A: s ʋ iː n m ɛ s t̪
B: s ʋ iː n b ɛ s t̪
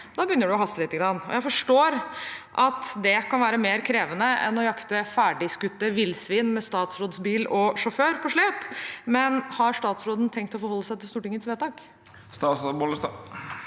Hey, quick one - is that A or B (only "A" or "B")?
A